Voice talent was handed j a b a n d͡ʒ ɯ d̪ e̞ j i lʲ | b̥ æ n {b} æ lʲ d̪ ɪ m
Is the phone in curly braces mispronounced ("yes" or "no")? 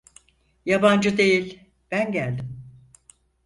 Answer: yes